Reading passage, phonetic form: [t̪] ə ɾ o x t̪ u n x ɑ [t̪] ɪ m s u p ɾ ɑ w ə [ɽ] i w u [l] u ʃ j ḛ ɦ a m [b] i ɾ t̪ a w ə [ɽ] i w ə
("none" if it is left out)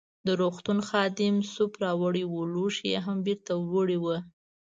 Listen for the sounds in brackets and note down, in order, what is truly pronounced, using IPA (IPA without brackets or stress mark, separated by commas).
d̪, d̪, ɽ, l, b, ɽ